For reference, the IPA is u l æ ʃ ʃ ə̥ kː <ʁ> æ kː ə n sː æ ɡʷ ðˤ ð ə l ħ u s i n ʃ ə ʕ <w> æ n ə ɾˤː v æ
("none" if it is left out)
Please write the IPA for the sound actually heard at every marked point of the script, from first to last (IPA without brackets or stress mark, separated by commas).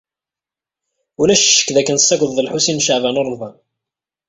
ð, v